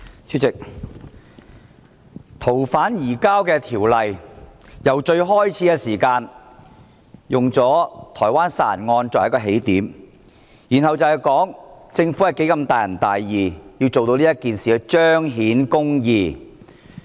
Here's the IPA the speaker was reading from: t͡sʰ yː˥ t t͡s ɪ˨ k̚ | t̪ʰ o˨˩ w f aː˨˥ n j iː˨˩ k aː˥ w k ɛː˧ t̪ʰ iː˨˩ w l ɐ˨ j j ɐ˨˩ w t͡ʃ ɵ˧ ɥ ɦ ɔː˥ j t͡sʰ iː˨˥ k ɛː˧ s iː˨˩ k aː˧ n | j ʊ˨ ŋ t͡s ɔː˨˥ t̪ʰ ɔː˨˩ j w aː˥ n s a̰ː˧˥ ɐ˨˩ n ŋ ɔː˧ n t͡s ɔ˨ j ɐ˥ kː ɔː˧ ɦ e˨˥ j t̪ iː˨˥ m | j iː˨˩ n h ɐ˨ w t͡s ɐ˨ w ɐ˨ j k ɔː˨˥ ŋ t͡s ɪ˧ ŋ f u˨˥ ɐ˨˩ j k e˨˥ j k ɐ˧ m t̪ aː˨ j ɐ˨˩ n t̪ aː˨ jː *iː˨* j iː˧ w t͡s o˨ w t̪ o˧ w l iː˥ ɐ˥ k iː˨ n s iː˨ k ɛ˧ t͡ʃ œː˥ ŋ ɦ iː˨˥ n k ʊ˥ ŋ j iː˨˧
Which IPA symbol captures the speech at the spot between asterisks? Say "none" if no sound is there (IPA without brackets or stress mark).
iː˨